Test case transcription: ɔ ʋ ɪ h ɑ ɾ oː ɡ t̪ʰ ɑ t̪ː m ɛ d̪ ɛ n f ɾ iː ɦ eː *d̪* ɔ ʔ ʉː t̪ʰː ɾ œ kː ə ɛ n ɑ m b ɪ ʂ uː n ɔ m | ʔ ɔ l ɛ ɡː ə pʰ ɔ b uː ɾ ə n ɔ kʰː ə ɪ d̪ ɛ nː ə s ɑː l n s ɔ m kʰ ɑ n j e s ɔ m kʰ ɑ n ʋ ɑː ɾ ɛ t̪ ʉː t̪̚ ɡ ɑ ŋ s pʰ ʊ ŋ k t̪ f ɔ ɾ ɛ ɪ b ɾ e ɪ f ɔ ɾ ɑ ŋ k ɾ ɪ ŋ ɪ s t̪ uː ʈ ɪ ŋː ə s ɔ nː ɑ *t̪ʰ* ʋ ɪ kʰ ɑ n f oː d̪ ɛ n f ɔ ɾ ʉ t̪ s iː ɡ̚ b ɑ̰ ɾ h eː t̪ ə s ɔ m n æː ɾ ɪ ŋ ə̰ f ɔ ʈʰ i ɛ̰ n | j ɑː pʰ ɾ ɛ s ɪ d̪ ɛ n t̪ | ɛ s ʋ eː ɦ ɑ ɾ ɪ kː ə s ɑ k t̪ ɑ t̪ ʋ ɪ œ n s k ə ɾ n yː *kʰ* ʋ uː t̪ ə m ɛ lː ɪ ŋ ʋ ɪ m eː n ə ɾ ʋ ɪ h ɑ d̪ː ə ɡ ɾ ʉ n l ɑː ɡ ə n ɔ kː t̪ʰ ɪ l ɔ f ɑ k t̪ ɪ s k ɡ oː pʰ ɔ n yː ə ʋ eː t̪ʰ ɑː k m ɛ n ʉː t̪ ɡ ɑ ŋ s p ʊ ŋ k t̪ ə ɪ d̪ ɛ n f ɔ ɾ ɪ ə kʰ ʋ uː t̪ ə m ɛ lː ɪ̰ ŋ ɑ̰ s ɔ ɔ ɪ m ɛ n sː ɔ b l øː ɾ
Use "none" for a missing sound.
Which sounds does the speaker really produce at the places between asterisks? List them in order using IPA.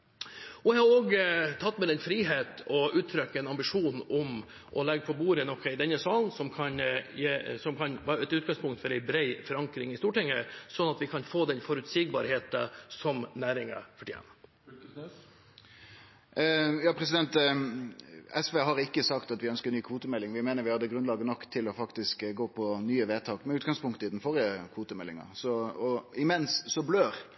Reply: t̪, t̪, kʰ

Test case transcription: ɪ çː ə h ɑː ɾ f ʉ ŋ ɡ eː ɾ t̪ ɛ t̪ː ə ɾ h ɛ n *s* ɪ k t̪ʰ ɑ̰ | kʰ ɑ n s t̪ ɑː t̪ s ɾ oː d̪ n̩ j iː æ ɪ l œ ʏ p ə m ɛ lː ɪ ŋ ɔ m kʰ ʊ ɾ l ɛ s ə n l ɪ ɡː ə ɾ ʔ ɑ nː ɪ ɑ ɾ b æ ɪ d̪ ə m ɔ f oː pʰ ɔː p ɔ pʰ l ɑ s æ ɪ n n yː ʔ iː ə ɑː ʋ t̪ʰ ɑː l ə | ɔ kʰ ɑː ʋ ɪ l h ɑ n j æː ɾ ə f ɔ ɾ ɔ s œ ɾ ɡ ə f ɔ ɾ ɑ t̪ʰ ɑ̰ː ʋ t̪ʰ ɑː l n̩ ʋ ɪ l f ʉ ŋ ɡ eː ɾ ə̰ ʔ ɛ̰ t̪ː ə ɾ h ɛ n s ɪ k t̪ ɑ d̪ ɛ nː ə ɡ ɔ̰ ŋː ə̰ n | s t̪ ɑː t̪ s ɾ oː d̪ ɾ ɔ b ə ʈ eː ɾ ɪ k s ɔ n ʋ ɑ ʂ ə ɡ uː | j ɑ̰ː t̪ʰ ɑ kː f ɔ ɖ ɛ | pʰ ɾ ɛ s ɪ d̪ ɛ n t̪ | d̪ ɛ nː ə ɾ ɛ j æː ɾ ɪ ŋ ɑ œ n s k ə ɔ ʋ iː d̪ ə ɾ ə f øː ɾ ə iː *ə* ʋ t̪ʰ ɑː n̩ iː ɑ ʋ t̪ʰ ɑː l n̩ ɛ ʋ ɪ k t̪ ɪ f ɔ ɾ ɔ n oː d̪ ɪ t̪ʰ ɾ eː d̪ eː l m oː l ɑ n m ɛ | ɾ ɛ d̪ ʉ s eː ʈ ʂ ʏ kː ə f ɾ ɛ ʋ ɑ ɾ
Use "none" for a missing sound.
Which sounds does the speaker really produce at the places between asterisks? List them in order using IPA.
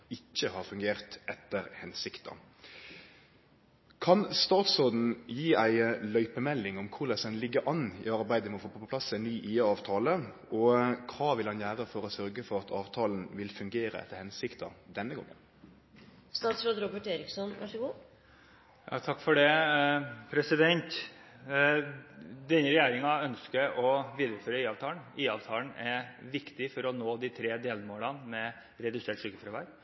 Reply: s, ɑ

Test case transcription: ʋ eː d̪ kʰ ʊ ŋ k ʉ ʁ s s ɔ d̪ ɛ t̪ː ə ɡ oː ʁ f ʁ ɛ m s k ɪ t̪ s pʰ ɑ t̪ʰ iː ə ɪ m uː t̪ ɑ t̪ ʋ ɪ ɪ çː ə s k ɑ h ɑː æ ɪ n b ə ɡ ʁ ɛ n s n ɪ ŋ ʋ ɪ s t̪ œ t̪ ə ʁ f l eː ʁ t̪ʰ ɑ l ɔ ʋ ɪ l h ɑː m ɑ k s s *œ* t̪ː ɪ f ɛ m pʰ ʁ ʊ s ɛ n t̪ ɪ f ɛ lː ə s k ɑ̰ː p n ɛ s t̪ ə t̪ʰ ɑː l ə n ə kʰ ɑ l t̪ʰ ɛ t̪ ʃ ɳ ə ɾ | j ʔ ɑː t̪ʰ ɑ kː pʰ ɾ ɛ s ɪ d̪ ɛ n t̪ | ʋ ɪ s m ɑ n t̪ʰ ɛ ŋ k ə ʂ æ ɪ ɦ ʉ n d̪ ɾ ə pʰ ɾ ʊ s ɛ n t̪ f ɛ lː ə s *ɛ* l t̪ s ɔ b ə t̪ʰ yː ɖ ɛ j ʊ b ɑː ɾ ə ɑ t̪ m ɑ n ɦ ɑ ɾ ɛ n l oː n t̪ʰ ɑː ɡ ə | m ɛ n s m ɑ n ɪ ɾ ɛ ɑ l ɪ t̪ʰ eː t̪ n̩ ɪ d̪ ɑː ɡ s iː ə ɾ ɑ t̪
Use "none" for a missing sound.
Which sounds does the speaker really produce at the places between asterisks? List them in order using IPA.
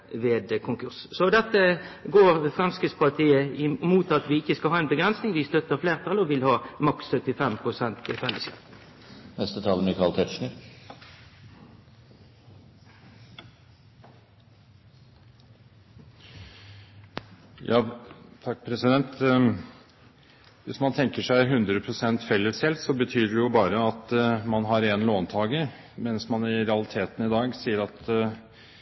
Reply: œ, ɛ

